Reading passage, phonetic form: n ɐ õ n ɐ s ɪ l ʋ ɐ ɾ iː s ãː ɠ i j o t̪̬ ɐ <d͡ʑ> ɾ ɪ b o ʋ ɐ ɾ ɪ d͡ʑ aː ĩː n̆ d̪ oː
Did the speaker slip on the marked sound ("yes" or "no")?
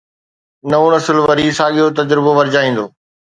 no